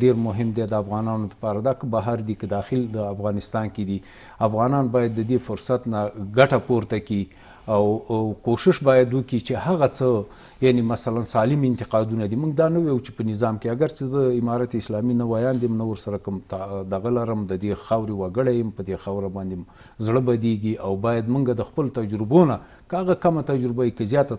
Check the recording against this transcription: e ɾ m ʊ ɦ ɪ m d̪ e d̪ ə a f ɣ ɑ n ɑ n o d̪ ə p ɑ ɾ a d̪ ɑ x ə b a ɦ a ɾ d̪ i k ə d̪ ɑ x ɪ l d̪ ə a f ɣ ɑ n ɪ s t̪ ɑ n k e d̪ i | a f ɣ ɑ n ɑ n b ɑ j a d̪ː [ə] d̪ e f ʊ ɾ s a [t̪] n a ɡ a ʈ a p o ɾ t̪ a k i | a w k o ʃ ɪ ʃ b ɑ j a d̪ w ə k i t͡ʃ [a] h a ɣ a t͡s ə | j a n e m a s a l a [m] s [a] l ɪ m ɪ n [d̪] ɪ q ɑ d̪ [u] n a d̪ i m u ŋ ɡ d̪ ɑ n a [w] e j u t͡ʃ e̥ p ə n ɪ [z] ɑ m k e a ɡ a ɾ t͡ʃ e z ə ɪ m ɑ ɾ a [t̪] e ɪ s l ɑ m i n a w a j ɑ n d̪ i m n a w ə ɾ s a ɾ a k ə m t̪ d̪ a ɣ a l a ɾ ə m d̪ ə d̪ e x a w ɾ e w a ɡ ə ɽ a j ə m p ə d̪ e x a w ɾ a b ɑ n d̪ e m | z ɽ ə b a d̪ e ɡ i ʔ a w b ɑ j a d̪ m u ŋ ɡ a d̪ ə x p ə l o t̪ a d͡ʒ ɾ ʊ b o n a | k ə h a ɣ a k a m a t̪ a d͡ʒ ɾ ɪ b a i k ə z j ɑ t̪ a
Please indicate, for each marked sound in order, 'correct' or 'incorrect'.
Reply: correct, correct, incorrect: e, incorrect: n, incorrect: ɑ, incorrect: t̪, correct, correct, correct, correct

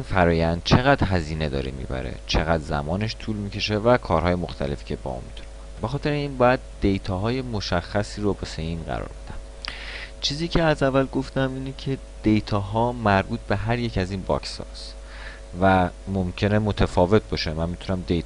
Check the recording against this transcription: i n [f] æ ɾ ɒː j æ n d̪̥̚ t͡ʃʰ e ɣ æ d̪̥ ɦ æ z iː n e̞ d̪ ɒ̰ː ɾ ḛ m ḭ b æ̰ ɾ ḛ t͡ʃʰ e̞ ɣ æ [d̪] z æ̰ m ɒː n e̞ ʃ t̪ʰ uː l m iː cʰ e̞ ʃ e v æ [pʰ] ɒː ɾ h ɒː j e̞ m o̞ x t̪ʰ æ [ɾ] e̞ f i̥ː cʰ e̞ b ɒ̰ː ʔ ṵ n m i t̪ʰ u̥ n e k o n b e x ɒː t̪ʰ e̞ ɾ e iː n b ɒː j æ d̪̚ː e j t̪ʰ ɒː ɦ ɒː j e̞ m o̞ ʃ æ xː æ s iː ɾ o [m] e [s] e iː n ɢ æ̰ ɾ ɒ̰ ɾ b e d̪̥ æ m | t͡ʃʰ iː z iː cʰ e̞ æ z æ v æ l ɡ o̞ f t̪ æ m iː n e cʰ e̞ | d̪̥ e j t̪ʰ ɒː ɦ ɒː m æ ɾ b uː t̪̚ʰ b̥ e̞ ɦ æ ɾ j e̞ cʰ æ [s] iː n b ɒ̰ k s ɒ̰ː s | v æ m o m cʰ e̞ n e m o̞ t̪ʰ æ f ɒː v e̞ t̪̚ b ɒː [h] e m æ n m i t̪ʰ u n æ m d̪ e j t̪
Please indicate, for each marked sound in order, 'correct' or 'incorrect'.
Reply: correct, correct, incorrect: kʰ, incorrect: l, incorrect: b, correct, incorrect: z, incorrect: ʃ

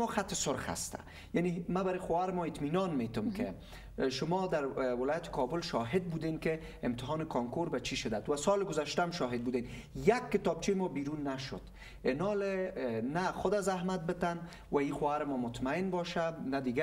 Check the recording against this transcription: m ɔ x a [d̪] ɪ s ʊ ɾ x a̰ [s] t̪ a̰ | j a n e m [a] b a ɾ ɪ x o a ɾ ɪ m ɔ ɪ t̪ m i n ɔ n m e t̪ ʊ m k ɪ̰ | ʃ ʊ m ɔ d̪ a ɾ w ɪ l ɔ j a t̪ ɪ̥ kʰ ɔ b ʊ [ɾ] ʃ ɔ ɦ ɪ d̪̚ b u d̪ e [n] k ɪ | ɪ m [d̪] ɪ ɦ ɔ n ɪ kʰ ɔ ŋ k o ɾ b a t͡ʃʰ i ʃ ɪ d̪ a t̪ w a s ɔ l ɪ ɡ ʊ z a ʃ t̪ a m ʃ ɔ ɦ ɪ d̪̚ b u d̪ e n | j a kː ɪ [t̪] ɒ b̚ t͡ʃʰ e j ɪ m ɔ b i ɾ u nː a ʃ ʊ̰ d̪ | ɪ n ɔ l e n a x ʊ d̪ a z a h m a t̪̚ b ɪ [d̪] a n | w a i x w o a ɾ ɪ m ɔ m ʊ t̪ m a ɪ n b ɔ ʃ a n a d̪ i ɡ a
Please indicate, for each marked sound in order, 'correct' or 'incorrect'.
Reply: incorrect: t̪, correct, correct, incorrect: l, correct, incorrect: t̪, correct, incorrect: t̪

